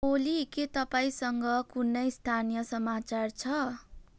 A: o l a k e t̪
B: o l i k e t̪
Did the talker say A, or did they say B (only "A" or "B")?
B